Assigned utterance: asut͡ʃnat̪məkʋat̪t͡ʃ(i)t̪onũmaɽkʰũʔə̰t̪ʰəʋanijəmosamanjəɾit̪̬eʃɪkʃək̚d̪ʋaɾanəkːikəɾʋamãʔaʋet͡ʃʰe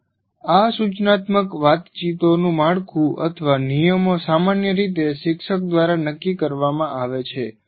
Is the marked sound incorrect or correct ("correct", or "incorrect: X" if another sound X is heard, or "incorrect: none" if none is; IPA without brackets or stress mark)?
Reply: correct